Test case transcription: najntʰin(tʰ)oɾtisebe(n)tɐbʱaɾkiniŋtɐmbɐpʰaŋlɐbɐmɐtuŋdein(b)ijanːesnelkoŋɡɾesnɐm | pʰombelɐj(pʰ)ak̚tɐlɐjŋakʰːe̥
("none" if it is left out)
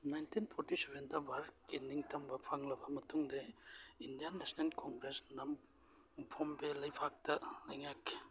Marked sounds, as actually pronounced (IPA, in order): pʰ, n, d, pʰ

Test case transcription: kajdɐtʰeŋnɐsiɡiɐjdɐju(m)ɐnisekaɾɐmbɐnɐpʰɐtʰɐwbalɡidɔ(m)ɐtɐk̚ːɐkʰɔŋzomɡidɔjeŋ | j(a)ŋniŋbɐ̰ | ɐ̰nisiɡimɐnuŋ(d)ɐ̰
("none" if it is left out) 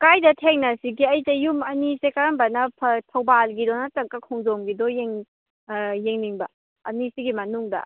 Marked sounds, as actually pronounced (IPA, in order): m, n, e, d

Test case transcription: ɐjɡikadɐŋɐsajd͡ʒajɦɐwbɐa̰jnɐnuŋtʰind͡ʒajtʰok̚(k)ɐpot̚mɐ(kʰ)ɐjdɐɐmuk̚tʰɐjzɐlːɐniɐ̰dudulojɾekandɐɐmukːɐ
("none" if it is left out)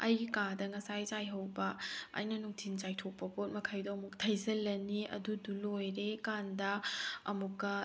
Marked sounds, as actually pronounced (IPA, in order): p, kʰ

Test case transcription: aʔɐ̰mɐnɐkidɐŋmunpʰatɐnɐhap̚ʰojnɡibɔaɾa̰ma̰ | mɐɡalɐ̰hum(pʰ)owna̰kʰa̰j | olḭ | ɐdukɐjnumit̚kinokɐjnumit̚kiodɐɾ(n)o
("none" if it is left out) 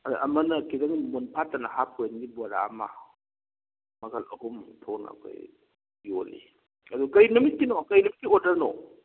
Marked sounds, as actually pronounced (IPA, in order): tʰ, n

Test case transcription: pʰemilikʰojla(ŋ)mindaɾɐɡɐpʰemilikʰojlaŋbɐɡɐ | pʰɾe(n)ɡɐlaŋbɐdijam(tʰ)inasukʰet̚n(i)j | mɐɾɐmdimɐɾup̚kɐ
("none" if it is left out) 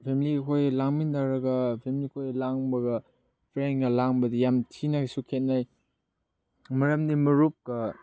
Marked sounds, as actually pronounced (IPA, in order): ŋ, n, tʰ, a

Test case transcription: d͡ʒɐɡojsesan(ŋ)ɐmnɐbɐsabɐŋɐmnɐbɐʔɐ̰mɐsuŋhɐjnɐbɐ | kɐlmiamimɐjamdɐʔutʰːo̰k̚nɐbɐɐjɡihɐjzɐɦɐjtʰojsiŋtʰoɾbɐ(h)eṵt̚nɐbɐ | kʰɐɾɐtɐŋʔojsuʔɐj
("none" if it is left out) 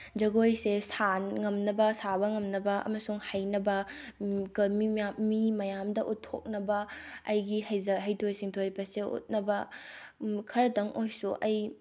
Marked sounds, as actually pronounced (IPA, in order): ŋ, s

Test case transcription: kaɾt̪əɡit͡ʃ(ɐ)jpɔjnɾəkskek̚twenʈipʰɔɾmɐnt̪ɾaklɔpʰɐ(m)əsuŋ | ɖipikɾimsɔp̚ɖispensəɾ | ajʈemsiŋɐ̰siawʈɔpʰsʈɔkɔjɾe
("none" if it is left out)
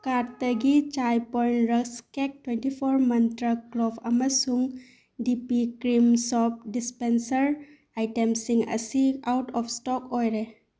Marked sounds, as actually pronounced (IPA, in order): a, m

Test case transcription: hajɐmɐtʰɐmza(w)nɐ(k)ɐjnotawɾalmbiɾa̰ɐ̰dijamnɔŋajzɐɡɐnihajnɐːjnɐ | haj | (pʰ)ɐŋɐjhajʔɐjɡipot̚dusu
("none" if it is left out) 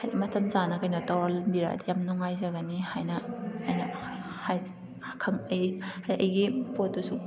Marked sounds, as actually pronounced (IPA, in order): none, k, kʰ

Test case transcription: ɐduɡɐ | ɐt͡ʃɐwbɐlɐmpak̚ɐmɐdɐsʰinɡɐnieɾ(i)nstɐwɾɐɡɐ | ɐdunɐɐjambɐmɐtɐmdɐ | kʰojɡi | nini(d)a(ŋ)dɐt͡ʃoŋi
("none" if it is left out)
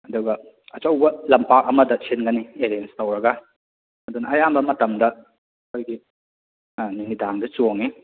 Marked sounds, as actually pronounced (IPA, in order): e, d, ŋ

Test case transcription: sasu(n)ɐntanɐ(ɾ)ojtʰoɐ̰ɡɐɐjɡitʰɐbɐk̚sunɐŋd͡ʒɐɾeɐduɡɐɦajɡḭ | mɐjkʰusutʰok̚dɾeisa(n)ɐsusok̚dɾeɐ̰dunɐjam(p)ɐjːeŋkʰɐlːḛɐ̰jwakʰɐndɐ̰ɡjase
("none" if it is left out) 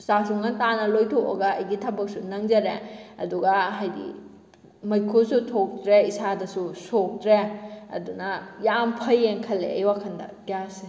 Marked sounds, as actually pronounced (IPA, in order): ŋ, l, d, pʰ

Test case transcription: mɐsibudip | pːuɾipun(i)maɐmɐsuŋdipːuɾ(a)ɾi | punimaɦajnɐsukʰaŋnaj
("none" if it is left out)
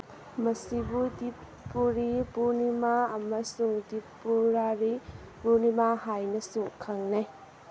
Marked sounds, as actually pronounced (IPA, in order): i, a

